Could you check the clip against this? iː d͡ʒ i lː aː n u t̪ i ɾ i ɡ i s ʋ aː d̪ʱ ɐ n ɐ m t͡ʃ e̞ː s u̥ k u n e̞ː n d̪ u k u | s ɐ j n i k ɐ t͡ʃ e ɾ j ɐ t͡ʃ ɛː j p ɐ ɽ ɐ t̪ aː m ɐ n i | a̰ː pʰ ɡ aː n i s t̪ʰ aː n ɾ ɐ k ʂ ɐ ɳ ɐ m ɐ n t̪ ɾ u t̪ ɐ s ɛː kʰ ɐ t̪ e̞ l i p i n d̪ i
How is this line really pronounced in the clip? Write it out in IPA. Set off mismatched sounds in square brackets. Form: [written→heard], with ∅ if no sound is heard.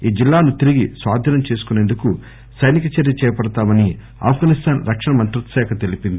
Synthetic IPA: iː d͡ʒ i lː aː n u t̪ i ɾ i ɡ i s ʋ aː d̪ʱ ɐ n ɐ m t͡ʃ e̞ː s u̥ k u n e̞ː n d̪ u k u | s ɐ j n i k ɐ t͡ʃ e ɾ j ɐ t͡ʃ ɛː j p ɐ ɽ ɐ t̪ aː m ɐ n i | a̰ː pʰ ɡ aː n i s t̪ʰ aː n ɾ ɐ k ʂ ɐ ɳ ɐ m ɐ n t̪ ɾ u t̪ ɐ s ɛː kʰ ɐ t̪ e̞ l i p i n d̪ i